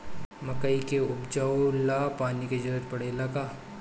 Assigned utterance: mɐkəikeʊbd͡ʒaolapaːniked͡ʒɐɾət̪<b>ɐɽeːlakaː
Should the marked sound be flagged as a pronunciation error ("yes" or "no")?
yes